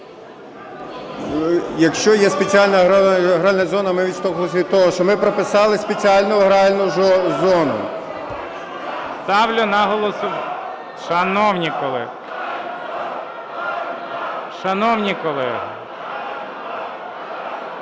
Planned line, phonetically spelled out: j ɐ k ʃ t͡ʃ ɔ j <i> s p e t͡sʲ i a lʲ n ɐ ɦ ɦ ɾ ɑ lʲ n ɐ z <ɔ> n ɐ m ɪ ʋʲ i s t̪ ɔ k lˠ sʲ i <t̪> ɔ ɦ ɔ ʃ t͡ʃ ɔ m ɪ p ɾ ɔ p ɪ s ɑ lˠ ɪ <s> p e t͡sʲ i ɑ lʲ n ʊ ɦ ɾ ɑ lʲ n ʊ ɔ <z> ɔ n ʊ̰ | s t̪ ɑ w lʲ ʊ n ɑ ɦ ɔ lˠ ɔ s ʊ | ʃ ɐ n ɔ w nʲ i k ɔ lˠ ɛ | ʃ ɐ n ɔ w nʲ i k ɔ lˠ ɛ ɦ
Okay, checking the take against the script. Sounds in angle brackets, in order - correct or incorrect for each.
incorrect: ɛ, correct, correct, correct, correct

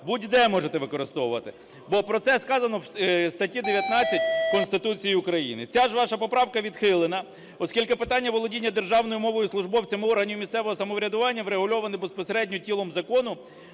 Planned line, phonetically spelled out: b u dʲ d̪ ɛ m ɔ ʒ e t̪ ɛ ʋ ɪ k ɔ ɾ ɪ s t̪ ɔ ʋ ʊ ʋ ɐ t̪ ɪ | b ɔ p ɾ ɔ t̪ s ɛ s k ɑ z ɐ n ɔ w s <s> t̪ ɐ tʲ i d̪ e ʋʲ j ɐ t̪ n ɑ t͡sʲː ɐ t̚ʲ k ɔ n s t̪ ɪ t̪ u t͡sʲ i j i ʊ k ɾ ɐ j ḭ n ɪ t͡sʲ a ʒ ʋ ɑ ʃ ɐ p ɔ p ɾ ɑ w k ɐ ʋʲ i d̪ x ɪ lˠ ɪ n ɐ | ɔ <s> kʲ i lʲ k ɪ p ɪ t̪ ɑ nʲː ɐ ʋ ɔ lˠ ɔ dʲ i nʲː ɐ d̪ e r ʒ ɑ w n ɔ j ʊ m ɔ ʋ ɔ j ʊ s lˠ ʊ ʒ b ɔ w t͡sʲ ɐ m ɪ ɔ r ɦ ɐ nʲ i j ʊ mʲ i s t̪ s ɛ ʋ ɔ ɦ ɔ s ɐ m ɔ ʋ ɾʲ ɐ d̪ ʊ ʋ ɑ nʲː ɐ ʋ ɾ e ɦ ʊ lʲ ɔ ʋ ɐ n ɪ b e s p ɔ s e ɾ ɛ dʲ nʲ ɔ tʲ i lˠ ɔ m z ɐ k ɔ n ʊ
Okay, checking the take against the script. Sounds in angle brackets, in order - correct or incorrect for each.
correct, correct

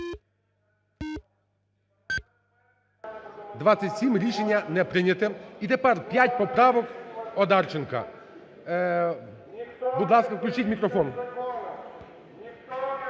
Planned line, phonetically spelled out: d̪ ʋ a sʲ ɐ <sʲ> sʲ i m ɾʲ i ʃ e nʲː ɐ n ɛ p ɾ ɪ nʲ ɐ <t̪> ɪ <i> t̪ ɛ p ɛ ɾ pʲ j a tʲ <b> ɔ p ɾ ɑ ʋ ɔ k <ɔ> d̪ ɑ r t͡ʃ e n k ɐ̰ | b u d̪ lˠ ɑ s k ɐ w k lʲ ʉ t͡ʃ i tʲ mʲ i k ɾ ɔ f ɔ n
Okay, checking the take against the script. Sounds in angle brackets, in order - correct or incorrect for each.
incorrect: tʲ, correct, correct, incorrect: p, correct

